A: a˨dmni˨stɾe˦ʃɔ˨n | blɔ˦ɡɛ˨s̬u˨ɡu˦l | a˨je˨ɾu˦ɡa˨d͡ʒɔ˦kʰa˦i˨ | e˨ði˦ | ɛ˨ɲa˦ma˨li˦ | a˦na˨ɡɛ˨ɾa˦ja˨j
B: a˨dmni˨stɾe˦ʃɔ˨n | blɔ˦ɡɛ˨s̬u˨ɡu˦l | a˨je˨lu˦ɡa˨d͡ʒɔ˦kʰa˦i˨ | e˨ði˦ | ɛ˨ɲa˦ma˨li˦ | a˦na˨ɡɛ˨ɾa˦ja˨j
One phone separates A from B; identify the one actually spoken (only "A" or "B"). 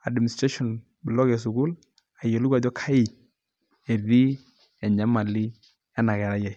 B